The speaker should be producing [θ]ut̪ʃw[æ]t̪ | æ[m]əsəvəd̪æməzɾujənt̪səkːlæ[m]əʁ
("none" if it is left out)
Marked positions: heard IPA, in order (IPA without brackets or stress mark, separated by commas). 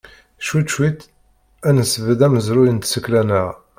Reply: ʃ, i, n, n